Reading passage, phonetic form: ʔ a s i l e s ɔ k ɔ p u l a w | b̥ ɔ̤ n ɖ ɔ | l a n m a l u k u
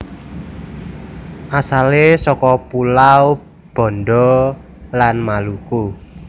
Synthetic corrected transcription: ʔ a s a l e s ɔ k ɔ p u l a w | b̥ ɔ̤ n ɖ ɔ | l a n m a l u k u